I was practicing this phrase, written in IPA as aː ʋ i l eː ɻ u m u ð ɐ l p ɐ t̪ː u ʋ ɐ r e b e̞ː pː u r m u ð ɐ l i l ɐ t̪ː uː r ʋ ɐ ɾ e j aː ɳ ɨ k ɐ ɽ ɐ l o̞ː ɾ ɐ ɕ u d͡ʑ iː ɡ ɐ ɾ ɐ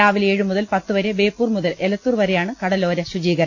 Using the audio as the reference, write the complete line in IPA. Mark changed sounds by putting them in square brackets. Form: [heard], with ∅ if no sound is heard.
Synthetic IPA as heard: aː ʋ i l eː ɻ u m u ð ɐ l p ɐ t̪ː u ʋ ɐ [ɾ] e b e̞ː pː [uː] r m u ð ɐ l [e] l ɐ t̪ː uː r ʋ ɐ ɾ e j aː ɳ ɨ k ɐ ɽ ɐ l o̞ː ɾ ɐ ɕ u d͡ʑ iː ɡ ɐ ɾ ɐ